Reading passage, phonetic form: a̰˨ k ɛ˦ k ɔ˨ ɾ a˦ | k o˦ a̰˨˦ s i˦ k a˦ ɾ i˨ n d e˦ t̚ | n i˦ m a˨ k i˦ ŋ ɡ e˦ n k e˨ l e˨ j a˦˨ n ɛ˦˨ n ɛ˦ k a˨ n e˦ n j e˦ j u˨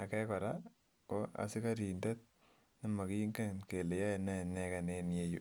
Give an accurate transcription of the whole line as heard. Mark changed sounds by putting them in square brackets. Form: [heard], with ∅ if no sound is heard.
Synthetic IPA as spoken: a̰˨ k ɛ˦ k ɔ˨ ɾ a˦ | k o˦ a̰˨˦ s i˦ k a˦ ɾ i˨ n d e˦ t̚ | n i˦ m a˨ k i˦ ŋ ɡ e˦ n k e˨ l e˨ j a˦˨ n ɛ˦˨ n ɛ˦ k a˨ n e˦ n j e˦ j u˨